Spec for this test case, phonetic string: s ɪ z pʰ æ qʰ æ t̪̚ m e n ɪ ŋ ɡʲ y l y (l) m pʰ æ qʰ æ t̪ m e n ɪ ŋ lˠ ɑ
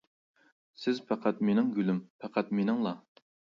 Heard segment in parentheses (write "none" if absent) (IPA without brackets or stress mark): none